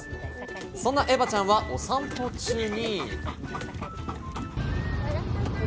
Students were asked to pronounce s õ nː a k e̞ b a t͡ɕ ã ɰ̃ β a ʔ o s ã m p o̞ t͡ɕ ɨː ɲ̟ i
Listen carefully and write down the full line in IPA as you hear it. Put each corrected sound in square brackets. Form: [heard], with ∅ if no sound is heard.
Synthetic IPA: s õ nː a [ʔ] e̞ b a t͡ɕ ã ɰ̃ β a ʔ o s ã m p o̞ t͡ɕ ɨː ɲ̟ i